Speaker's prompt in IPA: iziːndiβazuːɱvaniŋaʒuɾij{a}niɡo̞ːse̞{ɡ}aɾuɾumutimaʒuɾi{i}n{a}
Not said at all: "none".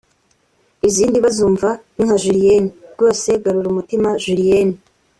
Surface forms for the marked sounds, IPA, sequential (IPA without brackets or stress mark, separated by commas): e, ɡ, e, i